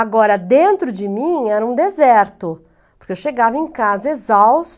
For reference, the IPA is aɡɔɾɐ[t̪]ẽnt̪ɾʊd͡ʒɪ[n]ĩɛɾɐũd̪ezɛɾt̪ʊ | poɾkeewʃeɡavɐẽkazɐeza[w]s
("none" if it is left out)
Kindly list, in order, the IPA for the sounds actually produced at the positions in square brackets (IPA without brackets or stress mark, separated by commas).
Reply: d̪, m, w